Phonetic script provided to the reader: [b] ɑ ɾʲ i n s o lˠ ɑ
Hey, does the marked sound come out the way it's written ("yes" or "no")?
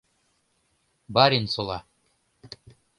yes